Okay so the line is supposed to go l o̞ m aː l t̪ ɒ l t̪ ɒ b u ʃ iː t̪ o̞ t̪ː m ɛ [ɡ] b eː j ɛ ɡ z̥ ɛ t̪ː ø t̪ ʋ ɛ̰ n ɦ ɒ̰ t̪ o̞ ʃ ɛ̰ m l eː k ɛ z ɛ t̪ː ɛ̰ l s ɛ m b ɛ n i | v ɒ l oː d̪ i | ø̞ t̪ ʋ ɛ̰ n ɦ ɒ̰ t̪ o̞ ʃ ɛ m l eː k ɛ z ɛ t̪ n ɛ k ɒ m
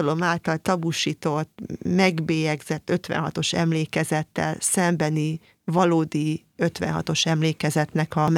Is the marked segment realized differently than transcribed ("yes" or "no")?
no